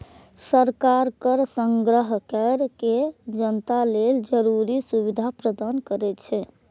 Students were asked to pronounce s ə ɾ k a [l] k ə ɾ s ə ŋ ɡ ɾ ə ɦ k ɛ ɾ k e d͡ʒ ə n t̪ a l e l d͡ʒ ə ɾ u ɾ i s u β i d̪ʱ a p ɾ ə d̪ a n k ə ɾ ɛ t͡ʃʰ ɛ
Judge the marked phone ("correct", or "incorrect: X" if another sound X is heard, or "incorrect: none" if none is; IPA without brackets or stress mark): incorrect: ɾ